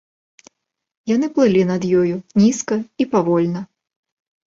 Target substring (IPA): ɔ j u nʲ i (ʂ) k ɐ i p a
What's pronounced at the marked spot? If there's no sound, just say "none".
s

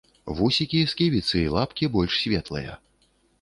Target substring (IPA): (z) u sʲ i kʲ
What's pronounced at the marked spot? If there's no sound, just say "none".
v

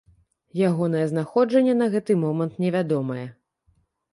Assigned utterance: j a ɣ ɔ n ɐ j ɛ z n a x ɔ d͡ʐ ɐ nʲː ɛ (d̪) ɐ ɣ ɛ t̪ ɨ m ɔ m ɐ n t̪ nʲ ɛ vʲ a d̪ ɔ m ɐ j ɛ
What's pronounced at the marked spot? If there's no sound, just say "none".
n̪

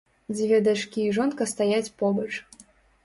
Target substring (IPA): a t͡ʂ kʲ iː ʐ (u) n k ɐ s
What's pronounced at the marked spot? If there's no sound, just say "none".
ɔ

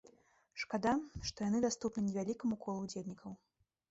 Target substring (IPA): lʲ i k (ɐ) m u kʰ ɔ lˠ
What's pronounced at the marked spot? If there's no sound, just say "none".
ɐ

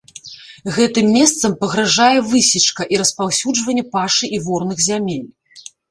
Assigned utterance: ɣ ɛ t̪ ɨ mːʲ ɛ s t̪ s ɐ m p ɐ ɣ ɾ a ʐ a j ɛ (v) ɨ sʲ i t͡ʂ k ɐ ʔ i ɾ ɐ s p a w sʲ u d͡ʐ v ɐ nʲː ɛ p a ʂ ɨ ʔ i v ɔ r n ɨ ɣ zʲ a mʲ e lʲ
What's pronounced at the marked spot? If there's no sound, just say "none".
v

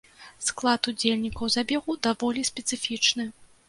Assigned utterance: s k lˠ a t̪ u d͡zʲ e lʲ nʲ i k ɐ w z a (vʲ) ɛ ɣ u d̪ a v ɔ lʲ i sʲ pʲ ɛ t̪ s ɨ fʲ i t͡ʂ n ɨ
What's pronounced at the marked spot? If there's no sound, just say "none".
bʲ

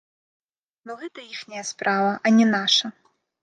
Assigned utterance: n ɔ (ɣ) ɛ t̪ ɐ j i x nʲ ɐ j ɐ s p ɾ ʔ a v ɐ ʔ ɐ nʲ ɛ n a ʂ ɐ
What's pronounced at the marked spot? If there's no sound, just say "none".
ɣ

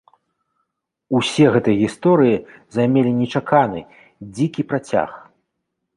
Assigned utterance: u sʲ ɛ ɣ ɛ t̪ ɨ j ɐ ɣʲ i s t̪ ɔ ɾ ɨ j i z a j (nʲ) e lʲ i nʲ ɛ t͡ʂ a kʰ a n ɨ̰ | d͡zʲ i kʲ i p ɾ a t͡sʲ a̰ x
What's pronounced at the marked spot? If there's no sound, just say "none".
mʲ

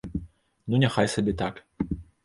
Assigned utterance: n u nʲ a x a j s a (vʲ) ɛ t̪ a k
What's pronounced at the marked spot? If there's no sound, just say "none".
bʲ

